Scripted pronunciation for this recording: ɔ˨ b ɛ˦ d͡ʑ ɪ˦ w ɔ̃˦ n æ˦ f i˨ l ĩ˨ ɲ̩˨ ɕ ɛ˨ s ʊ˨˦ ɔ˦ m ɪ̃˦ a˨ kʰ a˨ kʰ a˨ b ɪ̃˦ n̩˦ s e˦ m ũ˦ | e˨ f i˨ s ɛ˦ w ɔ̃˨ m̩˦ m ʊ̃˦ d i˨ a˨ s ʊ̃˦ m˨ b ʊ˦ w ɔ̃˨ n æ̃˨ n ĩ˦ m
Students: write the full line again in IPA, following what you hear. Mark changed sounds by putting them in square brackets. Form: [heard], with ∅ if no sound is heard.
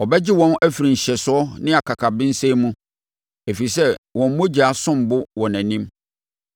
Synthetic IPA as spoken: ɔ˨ b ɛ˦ d͡ʑ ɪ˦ w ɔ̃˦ n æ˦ f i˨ [ɾ] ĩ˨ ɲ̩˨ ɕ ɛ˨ s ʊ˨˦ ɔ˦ [n] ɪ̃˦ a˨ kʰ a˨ kʰ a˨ b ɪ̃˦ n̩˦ s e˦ m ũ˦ | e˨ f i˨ s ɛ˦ w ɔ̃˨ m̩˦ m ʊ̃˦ [d͡ʑ] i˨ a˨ s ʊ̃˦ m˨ b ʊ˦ w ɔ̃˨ n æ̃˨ n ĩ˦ m